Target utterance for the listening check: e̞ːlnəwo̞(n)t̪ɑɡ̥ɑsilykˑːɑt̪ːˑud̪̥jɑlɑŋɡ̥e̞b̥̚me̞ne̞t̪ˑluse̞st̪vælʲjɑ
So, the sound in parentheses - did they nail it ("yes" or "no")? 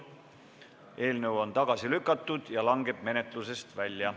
yes